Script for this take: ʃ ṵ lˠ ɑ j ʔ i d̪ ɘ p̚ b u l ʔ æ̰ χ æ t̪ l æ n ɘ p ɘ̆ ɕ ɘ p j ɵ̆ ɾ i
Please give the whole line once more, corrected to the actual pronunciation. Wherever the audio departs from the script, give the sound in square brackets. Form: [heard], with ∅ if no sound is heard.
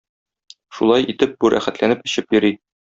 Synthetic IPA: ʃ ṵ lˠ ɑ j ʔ i [t̪] ɘ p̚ b u [ɾ] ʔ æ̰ χ æ t̪ l æ n ɘ p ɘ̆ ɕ ɘ p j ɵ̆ ɾ i